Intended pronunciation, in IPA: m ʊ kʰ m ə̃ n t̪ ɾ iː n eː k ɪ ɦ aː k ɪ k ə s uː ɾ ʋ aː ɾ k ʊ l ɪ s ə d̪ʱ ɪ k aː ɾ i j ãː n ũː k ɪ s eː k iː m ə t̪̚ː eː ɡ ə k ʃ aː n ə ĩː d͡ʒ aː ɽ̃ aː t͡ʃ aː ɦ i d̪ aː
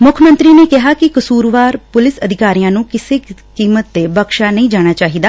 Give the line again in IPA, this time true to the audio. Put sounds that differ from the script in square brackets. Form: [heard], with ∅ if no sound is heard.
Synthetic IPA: m ʊ kʰ m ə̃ n t̪ ɾ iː n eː k ɪ ɦ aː k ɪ k ə s uː ɾ ʋ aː ɾ [p] ʊ l ɪ s ə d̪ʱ ɪ k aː ɾ i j ãː n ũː k ɪ s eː k iː m ə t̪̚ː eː [b] ə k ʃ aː n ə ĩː d͡ʒ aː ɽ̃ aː t͡ʃ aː ɦ i d̪ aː